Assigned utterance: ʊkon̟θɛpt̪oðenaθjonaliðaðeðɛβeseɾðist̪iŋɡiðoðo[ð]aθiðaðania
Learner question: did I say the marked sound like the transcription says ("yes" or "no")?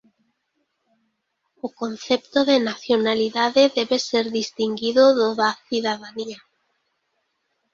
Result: yes